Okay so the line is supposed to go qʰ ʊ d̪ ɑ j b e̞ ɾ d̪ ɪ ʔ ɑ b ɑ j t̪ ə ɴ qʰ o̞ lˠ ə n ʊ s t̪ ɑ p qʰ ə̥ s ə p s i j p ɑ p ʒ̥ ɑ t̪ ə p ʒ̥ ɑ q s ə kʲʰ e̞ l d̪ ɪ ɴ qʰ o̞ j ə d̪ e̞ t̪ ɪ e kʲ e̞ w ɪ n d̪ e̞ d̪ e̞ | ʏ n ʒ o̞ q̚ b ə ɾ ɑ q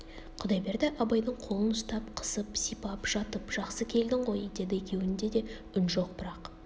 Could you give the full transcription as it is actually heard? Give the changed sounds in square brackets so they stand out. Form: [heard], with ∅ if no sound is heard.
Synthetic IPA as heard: qʰ ʊ d̪ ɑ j b e̞ ɾ d̪ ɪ ʔ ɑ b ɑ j [d̪] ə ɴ qʰ o̞ lˠ ə n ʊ s t̪ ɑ p qʰ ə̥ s ə p s i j p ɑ p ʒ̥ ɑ t̪ ə p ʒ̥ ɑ q s ə kʲʰ e̞ l d̪ ɪ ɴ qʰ o̞ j ə d̪ e̞ [d̪] ɪ e kʲ e̞ w ɪ n d̪ e̞ d̪ e̞ | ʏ n ʒ o̞ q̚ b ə ɾ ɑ q